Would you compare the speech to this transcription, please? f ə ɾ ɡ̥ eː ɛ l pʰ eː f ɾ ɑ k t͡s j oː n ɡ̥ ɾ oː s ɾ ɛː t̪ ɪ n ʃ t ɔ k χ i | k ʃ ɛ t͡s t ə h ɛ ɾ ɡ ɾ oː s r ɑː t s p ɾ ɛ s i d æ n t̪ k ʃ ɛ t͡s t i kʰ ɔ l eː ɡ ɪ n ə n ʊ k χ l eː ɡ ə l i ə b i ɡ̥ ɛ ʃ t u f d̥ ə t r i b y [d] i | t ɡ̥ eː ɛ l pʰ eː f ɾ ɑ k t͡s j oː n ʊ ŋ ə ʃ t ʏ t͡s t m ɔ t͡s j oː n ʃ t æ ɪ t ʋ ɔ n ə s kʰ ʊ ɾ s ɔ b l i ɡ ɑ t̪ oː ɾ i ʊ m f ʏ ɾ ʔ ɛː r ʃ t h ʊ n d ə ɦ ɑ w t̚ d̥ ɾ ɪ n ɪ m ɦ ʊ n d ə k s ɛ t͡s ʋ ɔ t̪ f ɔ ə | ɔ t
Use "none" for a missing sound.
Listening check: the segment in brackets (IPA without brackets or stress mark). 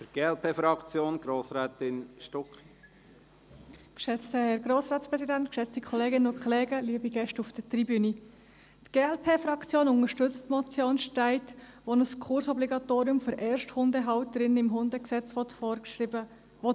n